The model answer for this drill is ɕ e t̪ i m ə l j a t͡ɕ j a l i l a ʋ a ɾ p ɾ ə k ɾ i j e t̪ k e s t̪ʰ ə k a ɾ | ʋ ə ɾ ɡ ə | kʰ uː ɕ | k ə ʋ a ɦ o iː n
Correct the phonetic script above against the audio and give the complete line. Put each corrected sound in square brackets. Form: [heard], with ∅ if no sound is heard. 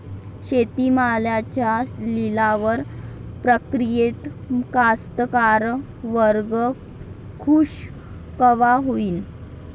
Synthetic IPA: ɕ e t̪ i m [a] l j a t͡ɕ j a l i l a ʋ [ə] ɾ p ɾ ə k ɾ i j e t̪ k [a] s [t̪] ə k a ɾ | ʋ ə ɾ ɡ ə | kʰ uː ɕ | k ə ʋ a ɦ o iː n

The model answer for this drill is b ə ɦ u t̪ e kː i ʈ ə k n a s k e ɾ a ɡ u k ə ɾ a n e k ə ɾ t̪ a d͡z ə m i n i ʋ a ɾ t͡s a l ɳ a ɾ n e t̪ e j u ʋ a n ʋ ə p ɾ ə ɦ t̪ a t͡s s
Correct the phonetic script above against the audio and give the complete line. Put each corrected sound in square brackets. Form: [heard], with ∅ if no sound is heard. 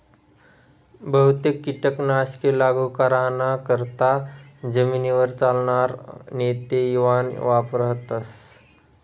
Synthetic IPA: b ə ɦ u t̪ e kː i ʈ ə k n a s k e [l] a ɡ u k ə ɾ a n [a] k ə ɾ t̪ a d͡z ə m i n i ʋ [ə] ɾ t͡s a l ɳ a ɾ n e t̪ e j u ʋ a n ʋ [a] p ɾ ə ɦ t̪ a [∅] s

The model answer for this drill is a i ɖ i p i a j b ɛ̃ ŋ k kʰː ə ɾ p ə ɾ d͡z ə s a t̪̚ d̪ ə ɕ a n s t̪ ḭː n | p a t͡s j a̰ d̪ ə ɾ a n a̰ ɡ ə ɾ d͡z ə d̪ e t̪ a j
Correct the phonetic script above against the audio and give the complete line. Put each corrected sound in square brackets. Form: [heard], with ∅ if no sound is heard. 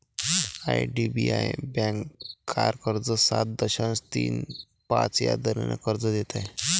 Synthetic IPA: a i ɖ i [b] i a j b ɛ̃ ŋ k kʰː [a] ɾ [k] ə ɾ d͡z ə s a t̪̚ d̪ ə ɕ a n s t̪ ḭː n | p a t͡s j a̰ d̪ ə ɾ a n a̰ [k] ə ɾ d͡z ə d̪ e t̪ a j

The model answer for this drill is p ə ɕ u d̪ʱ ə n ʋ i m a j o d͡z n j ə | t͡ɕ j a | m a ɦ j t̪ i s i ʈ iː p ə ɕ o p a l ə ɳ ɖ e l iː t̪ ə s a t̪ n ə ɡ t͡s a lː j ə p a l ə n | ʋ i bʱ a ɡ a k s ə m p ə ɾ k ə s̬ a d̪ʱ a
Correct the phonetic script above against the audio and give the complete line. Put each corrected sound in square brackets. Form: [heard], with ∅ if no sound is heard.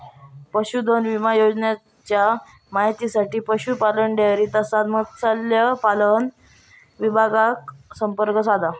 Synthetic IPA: p ə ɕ u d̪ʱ ə n ʋ i m a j o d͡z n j [a] | t͡ɕ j a | m a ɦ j t̪ i s [a] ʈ iː p ə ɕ [u] p a l ə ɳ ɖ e [ɾ] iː t̪ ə s a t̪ [m] ə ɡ t͡s a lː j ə p a l ə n | ʋ i bʱ a ɡ a k s ə m p ə ɾ k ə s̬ a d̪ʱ a

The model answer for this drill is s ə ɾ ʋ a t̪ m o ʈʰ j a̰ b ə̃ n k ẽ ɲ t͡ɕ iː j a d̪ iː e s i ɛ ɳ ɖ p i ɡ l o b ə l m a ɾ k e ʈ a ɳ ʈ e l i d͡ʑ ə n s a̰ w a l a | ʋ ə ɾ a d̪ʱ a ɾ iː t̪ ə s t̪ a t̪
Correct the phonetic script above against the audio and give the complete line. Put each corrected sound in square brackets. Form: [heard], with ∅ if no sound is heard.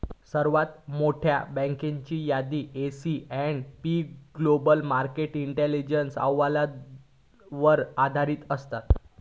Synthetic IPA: s ə ɾ ʋ a t̪ m o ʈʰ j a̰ b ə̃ [ŋ] k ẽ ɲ t͡ɕ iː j a d̪ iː e s i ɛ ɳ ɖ p i ɡ l o b ə l m a ɾ k e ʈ [i] ɳ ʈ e l i d͡ʑ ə n s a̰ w a l a | ʋ ə ɾ a d̪ʱ a ɾ iː t̪ ə s t̪ a t̪

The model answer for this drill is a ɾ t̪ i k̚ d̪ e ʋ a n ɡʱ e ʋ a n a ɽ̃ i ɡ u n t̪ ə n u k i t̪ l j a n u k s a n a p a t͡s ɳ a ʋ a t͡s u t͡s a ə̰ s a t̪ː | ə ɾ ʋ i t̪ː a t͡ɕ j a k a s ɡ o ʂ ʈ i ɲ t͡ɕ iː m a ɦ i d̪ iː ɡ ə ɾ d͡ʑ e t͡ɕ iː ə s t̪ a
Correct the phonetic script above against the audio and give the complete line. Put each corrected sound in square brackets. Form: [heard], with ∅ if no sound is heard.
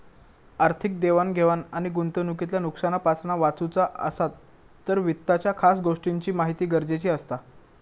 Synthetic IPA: a ɾ [t̪ʰ] i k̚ d̪ e ʋ a n ɡʱ e ʋ a n a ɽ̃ i ɡ u n t̪ ə n u k i t̪ l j a n u k s a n a p a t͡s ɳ a ʋ a t͡s u t͡s a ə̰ s a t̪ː | ə ɾ ʋ i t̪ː a t͡ɕ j a [kʰ] a s ɡ o ʂ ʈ i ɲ t͡ɕ iː m a ɦ i [t̪] iː ɡ ə ɾ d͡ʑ e t͡ɕ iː ə s t̪ a

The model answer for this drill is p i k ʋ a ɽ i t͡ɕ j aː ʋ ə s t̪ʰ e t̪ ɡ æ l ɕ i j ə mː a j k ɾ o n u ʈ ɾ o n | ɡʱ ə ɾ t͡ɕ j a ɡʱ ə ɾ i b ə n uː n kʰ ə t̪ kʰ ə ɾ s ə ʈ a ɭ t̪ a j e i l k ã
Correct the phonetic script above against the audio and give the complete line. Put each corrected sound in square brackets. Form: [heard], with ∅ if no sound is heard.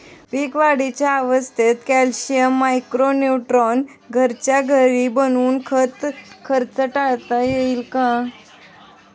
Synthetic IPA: p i k ʋ a ɽ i t͡ɕ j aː ʋ ə s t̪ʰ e t̪ [k] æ l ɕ i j ə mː a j k ɾ o n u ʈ ɾ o n | ɡʱ ə ɾ t͡ɕ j a ɡʱ ə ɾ i b ə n uː n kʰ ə t̪ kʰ ə ɾ [t͡s] ə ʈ a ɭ t̪ a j e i l k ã

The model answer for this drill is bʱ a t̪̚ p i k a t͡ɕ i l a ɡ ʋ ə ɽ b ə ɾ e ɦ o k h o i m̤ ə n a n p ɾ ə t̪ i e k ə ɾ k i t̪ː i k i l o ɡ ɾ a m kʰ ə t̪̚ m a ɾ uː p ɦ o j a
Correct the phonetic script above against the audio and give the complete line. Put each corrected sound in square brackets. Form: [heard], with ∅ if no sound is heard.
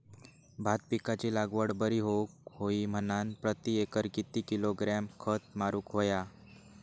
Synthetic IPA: bʱ a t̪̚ p i k a t͡ɕ i l a ɡ ʋ ə ɽ b ə ɾ [i] ɦ o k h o i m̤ ə n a n p ɾ ə t̪ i e k ə ɾ k i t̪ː i k i l o ɡ ɾ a m kʰ ə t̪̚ m a ɾ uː [k] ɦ o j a

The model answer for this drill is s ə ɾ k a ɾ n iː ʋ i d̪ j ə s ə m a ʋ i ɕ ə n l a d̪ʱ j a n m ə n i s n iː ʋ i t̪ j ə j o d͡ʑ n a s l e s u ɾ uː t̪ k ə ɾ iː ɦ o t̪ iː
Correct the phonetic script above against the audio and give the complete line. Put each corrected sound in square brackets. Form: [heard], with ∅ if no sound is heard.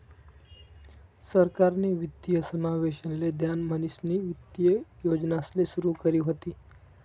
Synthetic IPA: s ə ɾ k a ɾ n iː ʋ i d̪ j ə s ə m a ʋ [e] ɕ ə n l [e] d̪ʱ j a n m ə n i s n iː ʋ i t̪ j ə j o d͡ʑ n a s l e s u ɾ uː [∅] k ə ɾ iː ɦ o t̪ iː

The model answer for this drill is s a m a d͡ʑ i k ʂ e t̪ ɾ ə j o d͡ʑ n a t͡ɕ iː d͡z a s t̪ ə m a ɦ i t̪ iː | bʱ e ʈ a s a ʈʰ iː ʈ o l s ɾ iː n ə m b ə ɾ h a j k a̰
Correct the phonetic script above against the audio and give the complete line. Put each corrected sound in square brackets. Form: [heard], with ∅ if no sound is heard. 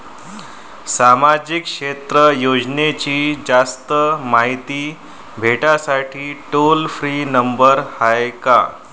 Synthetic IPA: s a m a d͡ʑ i k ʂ e t̪ ɾ ə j o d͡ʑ n [e] t͡ɕ iː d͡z a s t̪ ə m a ɦ i t̪ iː | bʱ e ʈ a s a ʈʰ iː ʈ o l [f] ɾ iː n ə m b ə ɾ h a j k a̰

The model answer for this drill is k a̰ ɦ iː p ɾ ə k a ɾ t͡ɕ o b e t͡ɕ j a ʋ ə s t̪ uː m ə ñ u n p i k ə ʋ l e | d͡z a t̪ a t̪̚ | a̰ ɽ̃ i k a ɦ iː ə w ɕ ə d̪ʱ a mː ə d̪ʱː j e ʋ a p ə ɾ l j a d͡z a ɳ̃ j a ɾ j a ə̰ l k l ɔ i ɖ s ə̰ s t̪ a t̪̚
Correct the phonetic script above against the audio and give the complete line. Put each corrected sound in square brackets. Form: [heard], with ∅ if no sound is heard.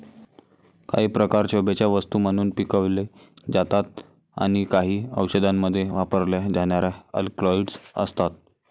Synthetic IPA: k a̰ ɦ iː p ɾ ə k a ɾ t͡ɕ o b e t͡ɕ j a ʋ ə s t̪ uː m ə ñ [uː] n p i k ə ʋ l e | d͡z a t̪ a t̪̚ | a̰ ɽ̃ i k a ɦ iː ə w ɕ ə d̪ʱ a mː ə d̪ʱː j e ʋ a p ə ɾ l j a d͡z a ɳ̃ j a ɾ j a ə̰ l k l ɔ i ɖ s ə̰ s t̪ a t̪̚

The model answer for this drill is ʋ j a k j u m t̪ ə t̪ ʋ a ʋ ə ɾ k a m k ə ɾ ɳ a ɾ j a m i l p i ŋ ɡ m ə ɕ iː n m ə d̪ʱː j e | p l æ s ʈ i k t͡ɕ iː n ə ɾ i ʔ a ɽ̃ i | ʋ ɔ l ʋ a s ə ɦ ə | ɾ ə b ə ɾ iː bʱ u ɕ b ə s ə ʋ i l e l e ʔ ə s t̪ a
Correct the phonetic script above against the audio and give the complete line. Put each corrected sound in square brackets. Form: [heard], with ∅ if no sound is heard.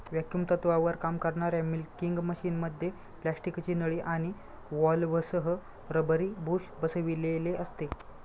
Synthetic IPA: ʋ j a k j u m t̪ ə t̪ ʋ a ʋ ə ɾ k a m k ə ɾ ɳ a ɾ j a m i l [k] i ŋ ɡ m ə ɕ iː n m ə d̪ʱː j e | p l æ s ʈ i k t͡ɕ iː n ə [ɭ] i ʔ a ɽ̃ i | ʋ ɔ l ʋ [ə] s ə ɦ ə | ɾ ə b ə ɾ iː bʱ u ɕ b ə s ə ʋ i l e l e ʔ ə s t̪ [e]

